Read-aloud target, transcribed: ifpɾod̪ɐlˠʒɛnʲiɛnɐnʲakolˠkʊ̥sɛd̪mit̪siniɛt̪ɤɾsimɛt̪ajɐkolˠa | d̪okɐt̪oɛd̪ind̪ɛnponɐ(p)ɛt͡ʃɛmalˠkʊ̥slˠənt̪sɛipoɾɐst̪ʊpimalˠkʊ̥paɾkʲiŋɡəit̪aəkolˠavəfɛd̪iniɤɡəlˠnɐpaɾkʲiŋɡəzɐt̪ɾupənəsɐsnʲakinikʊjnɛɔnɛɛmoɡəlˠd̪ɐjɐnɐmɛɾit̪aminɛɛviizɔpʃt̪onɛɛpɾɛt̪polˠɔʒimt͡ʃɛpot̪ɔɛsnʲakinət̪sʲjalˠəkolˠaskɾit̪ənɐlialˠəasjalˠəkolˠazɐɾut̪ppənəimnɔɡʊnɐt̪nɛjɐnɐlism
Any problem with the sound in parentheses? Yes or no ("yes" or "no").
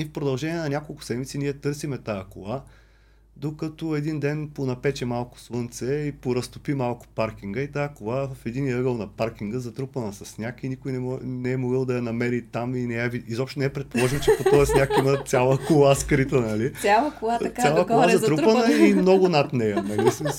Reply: no